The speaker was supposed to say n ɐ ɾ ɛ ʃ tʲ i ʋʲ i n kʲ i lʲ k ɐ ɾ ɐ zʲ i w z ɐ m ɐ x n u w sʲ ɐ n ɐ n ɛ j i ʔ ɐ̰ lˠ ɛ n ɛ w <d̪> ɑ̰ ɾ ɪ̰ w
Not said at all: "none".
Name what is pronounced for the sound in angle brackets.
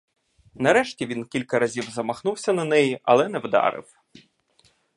d̪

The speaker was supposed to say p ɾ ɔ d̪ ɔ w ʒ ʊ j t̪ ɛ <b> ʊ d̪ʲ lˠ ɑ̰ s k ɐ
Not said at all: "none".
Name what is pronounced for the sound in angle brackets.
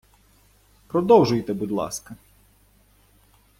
b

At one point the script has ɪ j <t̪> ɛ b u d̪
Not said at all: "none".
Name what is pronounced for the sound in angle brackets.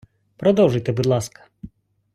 t̪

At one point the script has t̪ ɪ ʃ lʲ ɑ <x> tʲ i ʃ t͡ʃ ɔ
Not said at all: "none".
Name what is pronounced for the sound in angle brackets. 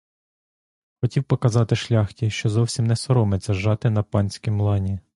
x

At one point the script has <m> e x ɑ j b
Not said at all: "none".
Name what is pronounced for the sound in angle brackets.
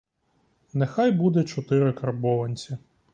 n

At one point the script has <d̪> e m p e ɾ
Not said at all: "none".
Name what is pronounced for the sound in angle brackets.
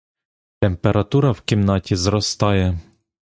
t̪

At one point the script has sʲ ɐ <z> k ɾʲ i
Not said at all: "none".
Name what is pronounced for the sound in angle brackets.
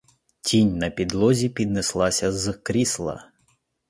z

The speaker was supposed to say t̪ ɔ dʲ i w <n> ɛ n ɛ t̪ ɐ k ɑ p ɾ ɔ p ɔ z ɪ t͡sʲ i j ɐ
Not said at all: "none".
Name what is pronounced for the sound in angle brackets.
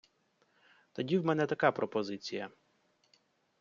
m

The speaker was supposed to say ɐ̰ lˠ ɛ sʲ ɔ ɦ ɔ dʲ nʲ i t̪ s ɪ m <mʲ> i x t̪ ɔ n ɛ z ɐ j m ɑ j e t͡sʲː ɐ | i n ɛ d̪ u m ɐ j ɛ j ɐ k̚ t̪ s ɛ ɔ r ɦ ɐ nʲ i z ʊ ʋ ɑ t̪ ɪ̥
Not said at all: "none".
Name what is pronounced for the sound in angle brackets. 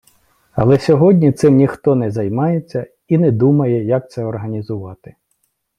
nʲ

